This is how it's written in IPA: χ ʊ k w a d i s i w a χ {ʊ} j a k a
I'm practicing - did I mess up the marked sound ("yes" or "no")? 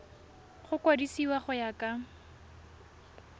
no